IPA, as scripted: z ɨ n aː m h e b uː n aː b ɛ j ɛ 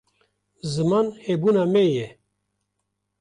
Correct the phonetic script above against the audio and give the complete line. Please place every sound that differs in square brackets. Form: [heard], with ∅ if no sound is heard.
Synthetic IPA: z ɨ [m] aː [n] h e b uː n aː [m] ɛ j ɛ